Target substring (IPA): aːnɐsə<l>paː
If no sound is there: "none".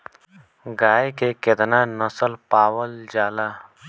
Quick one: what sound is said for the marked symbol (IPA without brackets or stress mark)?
l